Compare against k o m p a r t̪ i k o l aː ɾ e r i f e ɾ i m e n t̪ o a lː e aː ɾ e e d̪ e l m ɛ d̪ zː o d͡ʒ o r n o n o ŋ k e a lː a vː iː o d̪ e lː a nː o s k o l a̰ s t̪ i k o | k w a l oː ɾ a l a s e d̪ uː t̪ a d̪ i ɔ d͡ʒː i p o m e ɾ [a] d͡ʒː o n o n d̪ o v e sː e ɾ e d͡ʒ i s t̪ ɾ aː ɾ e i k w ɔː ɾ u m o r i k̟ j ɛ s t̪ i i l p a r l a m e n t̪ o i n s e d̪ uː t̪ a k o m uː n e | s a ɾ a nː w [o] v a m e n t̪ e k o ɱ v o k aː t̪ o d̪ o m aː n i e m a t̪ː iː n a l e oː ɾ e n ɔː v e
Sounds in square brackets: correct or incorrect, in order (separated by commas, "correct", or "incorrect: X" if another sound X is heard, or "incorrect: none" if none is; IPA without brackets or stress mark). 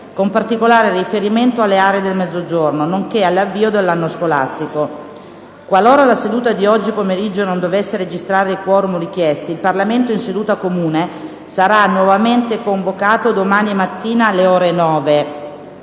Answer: incorrect: i, incorrect: ɔ